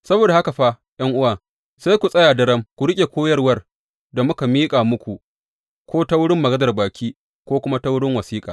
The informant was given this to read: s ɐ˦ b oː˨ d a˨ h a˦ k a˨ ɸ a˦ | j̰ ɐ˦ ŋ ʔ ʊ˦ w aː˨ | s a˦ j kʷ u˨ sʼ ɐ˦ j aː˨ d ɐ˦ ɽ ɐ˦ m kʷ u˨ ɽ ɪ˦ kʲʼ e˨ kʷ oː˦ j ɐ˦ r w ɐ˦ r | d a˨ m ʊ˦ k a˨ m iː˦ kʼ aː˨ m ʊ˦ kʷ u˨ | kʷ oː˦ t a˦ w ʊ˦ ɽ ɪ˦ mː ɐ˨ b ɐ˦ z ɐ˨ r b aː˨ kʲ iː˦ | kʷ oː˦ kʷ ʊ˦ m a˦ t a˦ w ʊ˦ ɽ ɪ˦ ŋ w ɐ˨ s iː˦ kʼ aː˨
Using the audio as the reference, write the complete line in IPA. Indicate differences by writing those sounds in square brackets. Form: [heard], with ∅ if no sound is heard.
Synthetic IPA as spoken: s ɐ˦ b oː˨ d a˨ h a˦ k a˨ ɸ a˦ | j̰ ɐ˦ ŋ ʔ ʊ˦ w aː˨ | s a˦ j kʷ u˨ sʼ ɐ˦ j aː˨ d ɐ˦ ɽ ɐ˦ m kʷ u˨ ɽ ɪ˦ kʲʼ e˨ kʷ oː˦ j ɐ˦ r w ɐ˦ r | d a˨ m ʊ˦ k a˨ m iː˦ kʼ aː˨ m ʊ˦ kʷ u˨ | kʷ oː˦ t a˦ w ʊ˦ ɽ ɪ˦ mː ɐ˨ [ɡ] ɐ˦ z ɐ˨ r b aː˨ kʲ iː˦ | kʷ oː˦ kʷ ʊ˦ m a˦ t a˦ w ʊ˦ ɽ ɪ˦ ŋ w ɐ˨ s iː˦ kʼ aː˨